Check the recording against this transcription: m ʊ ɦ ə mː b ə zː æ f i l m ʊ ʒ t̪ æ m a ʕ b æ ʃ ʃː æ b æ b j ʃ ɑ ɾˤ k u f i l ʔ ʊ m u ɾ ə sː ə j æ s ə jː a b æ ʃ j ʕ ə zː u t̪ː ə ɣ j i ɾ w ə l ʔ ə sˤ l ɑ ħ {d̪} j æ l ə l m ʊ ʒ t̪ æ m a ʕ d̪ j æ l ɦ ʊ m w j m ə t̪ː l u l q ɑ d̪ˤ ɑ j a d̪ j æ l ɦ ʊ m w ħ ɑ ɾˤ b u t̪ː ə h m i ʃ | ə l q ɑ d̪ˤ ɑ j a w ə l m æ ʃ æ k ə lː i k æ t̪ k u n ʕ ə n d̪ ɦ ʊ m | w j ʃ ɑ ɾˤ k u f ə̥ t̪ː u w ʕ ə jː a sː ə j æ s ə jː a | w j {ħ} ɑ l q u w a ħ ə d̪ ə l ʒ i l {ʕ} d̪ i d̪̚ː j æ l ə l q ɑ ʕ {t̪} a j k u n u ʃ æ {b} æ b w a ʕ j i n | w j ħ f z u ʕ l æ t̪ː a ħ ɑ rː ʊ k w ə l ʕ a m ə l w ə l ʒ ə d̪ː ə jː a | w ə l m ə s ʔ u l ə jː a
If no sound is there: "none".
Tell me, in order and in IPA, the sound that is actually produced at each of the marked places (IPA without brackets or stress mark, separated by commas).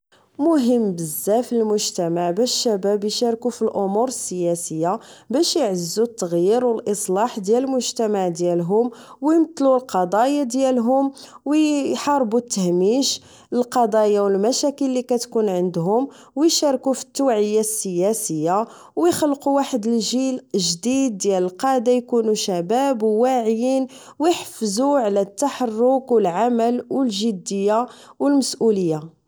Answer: d̪, x, ʒ, d̪, b